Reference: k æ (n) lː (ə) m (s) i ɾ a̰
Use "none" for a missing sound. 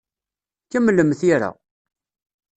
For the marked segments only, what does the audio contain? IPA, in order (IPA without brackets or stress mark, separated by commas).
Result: m, ə, θ